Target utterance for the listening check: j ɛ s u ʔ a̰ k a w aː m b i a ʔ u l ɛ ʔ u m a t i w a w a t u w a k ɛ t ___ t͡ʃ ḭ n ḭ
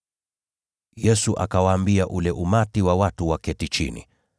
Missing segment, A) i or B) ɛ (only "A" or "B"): A